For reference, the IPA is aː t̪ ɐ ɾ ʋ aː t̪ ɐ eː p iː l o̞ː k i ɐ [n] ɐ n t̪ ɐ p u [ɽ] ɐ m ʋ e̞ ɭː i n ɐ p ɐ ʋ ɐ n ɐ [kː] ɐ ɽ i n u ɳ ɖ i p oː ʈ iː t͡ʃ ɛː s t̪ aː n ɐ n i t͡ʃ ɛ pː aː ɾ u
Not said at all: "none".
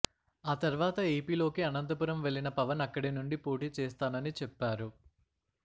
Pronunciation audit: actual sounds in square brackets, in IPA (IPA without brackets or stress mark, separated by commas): n, ɾ, kː